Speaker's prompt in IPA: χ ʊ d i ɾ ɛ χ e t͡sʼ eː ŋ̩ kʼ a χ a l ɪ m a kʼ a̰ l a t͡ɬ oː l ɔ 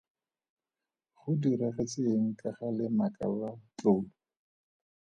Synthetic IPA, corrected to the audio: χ ʊ d i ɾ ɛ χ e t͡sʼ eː ŋ̩ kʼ a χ a l ɪ m a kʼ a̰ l a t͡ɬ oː l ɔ

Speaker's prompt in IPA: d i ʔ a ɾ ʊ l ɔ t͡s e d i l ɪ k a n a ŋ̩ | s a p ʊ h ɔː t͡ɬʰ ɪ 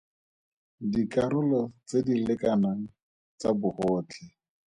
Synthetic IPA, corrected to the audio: d i k a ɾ ʊ l ɔ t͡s e d i l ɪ k a n a ŋ̩ | t͡s a b ʊ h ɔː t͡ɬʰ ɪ

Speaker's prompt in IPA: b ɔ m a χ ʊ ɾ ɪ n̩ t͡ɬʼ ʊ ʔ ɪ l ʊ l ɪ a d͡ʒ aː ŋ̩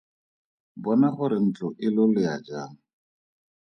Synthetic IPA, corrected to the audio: b ɔ n a χ ʊ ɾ ɪ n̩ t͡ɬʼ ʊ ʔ ɪ l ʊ l ɪ a d͡ʒ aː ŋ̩

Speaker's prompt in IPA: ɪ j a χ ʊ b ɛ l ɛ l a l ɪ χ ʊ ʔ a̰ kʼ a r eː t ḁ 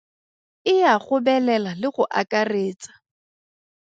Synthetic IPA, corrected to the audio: ɪ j a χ ʊ b ɛ l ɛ l a l ɪ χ ʊ ʔ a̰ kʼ a r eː t͡s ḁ

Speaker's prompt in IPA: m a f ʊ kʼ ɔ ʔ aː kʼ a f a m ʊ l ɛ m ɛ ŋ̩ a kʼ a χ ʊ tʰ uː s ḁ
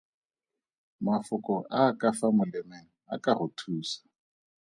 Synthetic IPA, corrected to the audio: m a f ʊ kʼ ɔ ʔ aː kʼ a f a m ʊ l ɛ m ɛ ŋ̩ a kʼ a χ ʊ tʰ uː s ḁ

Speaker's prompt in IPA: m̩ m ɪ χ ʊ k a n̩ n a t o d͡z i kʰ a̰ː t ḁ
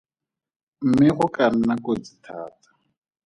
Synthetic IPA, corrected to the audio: m̩ m ɪ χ ʊ k a n̩ n a k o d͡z i tʰ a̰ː t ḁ

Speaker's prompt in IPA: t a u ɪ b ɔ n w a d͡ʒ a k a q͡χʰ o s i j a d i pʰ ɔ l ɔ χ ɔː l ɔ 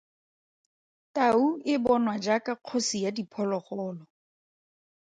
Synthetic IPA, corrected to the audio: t a u ɪ b ɔ n w a d͡ʒ a k a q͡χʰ o s i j a d i pʰ ɔ l ɔ χ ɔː l ɔ

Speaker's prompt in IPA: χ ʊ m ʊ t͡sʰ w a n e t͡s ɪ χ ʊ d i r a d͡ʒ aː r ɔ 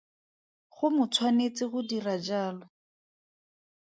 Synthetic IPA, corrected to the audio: χ ʊ m ʊ t͡sʰ w a n e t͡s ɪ χ ʊ d i r a d͡ʒ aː l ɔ

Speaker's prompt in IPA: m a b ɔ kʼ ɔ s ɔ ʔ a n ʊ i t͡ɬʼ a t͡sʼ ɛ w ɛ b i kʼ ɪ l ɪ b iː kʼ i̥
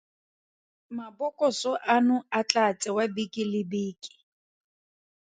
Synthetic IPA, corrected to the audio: m a b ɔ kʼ ɔ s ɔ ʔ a n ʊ a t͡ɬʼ a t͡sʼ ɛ w a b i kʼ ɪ l ɪ b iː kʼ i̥

